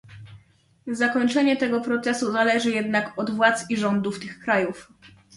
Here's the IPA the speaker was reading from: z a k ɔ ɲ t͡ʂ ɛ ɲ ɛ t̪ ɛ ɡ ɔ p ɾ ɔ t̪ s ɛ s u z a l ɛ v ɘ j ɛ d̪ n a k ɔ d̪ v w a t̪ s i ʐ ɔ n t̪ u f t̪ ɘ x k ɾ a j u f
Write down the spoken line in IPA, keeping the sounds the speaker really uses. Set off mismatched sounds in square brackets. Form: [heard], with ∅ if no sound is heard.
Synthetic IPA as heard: z a k ɔ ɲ t͡ʂ ɛ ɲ ɛ t̪ ɛ ɡ ɔ p ɾ ɔ t̪ s ɛ s u z a l ɛ [ʐ] ɘ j ɛ d̪ n a k ɔ d̪ v w a t̪ s i ʐ ɔ n [d̪] u f t̪ ɘ x k ɾ a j u f